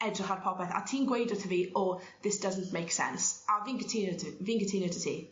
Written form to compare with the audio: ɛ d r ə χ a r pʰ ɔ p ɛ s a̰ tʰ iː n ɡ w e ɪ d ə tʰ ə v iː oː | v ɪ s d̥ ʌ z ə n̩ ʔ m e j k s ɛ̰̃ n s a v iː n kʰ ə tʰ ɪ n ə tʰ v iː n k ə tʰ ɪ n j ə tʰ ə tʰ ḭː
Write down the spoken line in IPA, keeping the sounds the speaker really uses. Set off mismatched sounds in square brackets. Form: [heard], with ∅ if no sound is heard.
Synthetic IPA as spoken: ɛ d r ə χ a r pʰ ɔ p ɛ [θ] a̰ tʰ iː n ɡ w e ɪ d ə tʰ ə v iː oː | [ð] ɪ s d̥ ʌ z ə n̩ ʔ m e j k s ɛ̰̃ n s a v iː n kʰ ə tʰ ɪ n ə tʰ v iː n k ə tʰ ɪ n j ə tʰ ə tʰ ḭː